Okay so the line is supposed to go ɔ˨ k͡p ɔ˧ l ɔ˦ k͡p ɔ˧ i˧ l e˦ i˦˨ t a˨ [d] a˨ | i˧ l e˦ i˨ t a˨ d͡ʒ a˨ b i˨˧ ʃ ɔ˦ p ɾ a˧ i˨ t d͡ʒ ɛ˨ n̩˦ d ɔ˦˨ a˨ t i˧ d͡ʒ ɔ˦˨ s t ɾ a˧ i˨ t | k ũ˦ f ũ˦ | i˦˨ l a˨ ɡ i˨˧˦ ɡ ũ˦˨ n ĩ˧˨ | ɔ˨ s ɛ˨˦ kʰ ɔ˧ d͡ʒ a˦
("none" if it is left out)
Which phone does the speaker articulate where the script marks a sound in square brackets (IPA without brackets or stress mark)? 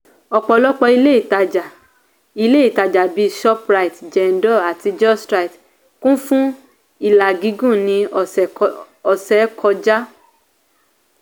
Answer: d͡ʒ